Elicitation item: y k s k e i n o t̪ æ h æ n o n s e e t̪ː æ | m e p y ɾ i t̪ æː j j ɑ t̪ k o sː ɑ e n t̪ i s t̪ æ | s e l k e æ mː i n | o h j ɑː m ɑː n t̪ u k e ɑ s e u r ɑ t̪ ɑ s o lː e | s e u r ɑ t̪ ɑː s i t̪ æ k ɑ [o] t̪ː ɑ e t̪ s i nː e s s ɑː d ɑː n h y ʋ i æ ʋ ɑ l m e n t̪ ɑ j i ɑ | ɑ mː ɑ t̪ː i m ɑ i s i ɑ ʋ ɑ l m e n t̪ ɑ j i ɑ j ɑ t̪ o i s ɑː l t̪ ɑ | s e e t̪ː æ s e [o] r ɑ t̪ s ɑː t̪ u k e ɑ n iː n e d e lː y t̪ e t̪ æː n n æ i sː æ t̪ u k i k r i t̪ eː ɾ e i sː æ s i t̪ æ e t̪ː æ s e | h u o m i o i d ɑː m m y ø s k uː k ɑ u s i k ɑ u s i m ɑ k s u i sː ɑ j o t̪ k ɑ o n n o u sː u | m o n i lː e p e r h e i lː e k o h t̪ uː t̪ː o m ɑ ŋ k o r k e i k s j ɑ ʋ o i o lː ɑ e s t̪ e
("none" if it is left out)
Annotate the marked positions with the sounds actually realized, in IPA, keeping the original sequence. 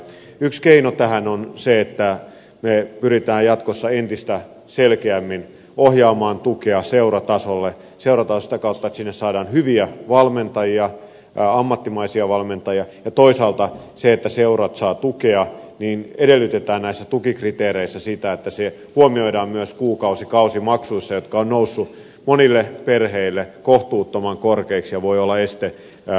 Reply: u, u

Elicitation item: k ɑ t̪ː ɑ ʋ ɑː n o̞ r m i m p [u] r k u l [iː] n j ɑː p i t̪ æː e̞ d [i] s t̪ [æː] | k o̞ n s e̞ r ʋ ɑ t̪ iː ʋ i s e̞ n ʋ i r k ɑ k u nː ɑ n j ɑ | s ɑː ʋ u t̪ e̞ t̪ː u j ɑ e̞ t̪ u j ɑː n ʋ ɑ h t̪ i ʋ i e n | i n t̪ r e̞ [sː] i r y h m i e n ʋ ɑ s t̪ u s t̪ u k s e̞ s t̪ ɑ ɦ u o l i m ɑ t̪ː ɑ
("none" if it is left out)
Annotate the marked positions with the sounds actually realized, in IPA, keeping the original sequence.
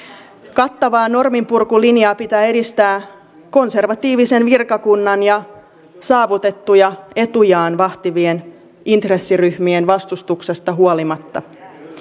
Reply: u, i, i, æː, sː

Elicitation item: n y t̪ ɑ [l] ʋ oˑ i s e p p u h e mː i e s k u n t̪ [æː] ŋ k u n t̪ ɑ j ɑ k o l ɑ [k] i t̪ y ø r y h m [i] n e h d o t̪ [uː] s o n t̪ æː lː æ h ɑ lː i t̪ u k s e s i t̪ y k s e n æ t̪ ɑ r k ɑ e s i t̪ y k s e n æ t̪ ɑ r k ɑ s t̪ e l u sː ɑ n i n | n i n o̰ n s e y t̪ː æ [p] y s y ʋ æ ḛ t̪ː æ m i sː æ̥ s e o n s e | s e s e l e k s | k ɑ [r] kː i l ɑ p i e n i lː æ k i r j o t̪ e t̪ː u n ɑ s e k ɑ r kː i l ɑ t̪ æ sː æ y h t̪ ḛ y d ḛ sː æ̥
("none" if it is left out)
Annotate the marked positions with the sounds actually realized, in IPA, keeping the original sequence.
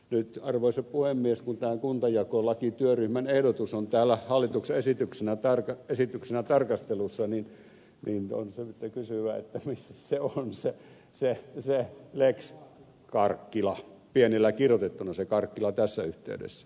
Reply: r, æː, k, æ, u, k, r

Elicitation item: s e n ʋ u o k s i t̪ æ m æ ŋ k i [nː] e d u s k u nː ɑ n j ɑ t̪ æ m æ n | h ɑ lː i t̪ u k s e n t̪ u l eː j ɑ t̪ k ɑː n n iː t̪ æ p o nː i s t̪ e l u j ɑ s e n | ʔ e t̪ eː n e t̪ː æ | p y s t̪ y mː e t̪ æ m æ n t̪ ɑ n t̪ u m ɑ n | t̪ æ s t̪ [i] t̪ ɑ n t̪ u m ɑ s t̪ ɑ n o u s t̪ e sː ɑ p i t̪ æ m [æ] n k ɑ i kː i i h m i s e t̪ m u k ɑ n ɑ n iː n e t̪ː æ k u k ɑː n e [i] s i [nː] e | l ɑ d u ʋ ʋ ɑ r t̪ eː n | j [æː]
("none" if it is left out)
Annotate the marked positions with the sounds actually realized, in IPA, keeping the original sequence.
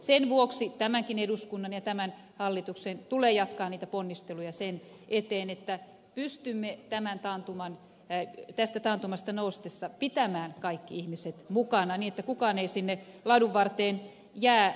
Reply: n, æ, æː, i, nː, æː

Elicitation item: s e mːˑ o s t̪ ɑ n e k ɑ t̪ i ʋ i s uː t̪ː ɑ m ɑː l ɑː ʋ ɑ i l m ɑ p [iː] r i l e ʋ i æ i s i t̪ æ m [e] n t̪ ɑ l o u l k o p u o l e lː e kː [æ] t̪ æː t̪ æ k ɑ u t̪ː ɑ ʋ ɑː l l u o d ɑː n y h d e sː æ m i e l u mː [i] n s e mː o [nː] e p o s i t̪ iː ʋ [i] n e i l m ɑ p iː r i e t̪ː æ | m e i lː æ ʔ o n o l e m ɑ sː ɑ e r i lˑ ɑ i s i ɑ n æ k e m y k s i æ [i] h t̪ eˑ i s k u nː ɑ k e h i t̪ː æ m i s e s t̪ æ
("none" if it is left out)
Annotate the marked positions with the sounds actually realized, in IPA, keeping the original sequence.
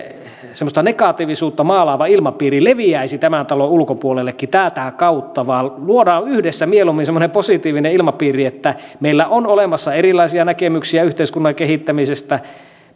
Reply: iː, æ, i, i, n, i, y

